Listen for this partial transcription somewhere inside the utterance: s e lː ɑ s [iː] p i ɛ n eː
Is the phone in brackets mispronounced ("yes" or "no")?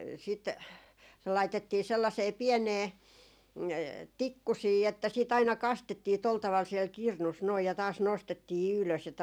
yes